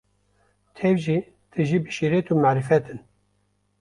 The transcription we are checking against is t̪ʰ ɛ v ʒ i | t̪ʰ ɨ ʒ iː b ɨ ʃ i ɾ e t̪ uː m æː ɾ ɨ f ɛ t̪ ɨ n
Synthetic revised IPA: t̪ʰ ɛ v ʒ i | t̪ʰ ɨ ʒ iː b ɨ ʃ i ɾ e t̪ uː m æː ɾ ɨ f ɛ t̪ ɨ n